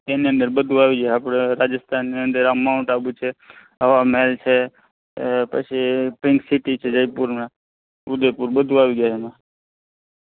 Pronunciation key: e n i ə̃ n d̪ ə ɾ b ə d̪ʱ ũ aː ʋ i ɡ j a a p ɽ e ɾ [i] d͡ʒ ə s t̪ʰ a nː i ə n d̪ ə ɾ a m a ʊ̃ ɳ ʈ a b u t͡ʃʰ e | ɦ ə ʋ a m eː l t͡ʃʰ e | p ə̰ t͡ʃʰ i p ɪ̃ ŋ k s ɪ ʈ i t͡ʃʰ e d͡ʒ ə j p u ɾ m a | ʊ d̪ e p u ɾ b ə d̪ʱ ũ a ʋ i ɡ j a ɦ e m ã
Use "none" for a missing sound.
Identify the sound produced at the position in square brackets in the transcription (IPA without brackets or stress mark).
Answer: a